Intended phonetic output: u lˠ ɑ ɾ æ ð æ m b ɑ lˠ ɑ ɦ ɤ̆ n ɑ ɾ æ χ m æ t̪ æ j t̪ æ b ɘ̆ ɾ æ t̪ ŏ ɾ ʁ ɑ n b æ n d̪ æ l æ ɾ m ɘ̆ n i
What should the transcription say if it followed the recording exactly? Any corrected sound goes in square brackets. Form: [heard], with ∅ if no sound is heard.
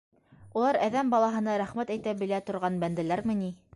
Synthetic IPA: u lˠ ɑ ɾ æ ð æ m b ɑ lˠ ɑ ɦ ɤ̆ n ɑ ɾ æ χ m æ t̪ æ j t̪ æ b ɘ̆ [l] æ t̪ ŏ ɾ ʁ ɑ n b æ n d̪ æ l æ ɾ m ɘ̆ n i